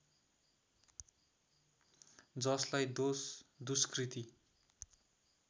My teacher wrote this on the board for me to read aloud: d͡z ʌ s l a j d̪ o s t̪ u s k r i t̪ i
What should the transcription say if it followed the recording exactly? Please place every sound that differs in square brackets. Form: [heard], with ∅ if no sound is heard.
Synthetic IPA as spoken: d͡z ʌ s l a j d̪ o s [d̪] u s k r i t̪ i